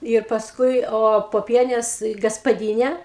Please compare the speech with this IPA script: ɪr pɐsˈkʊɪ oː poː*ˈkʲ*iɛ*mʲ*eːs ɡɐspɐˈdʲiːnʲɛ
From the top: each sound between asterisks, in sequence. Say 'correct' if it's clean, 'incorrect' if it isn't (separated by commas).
incorrect, incorrect